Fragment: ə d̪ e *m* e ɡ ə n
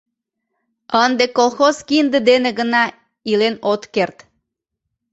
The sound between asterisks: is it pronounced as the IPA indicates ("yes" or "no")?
no